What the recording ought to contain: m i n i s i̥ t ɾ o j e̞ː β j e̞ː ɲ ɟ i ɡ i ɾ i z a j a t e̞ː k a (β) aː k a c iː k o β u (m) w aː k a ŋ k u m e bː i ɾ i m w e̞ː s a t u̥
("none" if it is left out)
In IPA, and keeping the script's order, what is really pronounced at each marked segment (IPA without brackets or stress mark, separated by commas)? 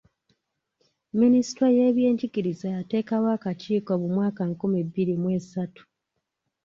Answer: w, m